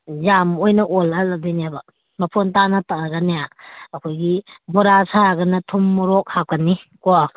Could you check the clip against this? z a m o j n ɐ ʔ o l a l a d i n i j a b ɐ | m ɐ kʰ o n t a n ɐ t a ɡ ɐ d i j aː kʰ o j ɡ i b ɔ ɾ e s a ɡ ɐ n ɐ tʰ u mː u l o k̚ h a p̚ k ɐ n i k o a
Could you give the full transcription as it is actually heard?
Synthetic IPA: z a m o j n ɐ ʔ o l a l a d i n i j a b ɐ | m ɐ pʰ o n t a n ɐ t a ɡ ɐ n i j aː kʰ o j ɡ i b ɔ ɾ a s a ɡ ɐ n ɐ tʰ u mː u ɾ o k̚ h a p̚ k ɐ n i k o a